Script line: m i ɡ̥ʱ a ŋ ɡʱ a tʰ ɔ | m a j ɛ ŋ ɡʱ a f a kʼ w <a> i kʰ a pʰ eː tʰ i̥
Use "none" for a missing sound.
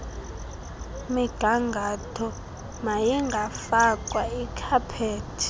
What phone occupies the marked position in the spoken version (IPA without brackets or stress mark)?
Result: a